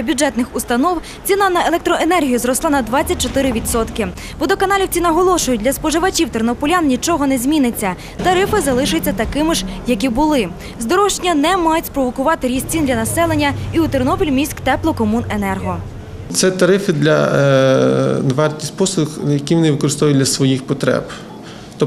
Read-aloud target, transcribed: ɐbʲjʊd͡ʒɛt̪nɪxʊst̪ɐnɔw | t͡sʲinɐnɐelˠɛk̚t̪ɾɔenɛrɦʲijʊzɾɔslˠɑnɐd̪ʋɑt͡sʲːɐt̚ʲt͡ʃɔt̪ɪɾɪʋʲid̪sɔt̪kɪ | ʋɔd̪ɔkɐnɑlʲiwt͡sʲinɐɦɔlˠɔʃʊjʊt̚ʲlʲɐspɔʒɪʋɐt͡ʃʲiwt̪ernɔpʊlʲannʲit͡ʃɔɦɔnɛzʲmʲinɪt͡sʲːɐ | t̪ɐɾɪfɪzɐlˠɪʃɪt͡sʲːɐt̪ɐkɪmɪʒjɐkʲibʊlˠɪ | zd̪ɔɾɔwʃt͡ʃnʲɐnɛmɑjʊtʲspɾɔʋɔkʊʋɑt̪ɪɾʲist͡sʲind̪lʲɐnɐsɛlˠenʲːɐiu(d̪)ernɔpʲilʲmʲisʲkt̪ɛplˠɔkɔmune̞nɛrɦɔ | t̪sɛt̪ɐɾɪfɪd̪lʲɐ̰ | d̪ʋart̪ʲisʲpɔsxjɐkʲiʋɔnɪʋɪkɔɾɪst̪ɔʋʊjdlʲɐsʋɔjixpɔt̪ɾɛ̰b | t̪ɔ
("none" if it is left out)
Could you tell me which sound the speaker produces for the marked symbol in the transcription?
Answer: t̪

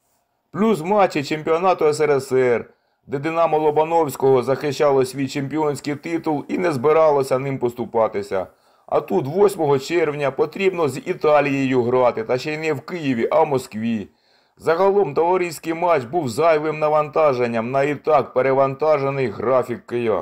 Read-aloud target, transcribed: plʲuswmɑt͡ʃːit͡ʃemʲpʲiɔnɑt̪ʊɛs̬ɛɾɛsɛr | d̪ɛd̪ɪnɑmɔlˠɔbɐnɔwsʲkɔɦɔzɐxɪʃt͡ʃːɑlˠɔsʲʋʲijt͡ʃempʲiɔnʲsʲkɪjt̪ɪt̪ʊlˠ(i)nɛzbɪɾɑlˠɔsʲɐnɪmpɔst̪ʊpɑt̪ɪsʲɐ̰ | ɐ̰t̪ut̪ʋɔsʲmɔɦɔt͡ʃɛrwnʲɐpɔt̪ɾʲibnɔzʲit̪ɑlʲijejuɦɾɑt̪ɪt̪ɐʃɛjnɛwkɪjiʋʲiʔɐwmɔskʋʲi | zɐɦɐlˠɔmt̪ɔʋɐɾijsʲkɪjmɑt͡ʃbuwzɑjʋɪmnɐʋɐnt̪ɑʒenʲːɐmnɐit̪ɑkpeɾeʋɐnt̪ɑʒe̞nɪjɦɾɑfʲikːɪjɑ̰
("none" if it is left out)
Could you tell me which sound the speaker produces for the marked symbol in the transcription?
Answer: i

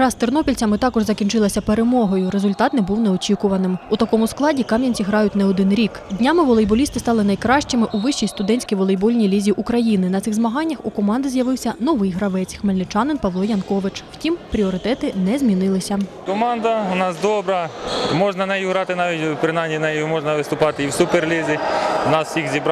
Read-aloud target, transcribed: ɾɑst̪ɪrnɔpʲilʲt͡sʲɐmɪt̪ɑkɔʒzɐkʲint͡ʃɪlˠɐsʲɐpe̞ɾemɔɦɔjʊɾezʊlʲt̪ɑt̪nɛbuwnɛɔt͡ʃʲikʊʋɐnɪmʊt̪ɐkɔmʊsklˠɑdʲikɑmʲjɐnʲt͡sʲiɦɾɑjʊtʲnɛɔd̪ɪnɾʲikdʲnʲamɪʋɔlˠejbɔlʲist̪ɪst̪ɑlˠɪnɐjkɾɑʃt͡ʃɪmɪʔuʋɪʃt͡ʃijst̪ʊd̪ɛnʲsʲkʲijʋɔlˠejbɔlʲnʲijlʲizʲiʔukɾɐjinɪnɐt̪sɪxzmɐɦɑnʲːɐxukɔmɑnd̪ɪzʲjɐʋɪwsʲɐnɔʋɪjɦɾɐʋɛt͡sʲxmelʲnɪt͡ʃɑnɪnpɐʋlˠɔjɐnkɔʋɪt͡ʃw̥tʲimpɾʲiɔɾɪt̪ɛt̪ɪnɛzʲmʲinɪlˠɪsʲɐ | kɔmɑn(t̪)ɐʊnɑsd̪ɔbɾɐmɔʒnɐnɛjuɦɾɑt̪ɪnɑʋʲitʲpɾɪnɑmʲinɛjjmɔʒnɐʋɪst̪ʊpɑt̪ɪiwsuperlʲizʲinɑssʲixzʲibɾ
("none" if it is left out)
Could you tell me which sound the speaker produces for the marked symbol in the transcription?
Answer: d̪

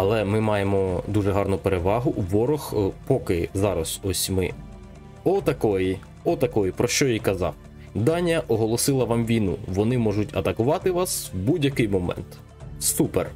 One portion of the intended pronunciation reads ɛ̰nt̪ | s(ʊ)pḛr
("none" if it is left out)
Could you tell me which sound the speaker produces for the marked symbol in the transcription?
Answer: u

